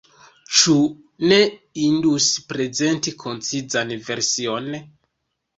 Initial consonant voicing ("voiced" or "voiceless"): voiceless